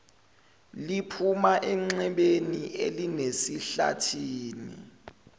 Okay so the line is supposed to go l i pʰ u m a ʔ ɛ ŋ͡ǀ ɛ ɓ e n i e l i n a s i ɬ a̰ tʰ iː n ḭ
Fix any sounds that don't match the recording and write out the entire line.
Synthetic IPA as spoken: l i pʰ u m a ʔ ɛ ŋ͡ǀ ɛ ɓ e n i e l i n e s i ɬ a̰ tʰ iː n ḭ